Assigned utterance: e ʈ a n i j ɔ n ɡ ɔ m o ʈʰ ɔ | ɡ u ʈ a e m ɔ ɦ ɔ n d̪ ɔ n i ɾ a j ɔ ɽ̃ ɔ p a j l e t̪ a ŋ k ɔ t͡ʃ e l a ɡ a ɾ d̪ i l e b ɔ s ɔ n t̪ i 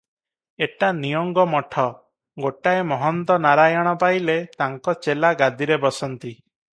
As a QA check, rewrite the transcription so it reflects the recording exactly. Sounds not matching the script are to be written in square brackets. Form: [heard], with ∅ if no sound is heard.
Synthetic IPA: e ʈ a n i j ɔ [ŋ] ɡ ɔ m [ɔ] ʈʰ ɔ | ɡ [o] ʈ a e m ɔ ɦ ɔ n [t̪] ɔ n [a] ɾ a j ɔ ɽ̃ ɔ p a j l e t̪ a ŋ k ɔ t͡ʃ e l a ɡ a [∅] d̪ i [ɾ] e b ɔ s ɔ n t̪ i